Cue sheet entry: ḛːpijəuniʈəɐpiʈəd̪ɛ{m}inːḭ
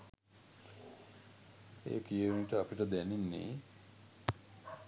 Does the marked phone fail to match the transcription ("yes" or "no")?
yes